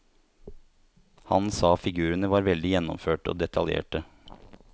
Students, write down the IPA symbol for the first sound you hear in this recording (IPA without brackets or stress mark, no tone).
h